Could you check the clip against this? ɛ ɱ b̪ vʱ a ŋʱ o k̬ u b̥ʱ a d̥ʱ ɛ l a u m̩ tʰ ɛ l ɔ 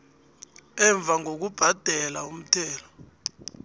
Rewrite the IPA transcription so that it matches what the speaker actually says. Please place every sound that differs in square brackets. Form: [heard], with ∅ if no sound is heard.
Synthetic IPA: ɛ ɱ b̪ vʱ a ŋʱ o k̬ u b̥ʱ a d̥ʱ ɛ l a u m̩ tʰ [ɛː] l ɔ